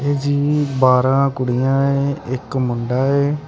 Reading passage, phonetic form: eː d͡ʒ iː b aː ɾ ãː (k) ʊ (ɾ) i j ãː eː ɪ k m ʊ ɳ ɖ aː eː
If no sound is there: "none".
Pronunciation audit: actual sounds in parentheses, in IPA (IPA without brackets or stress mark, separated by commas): k, ɽ